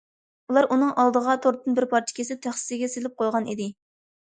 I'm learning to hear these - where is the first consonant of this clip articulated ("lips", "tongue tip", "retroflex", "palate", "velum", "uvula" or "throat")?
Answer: tongue tip